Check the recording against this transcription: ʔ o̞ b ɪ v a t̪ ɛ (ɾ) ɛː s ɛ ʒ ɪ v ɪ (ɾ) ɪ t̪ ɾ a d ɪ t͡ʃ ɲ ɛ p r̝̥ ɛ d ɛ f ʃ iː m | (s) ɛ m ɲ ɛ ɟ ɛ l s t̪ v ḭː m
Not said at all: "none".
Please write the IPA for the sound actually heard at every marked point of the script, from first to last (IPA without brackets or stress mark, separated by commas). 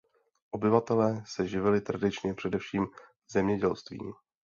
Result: l, l, z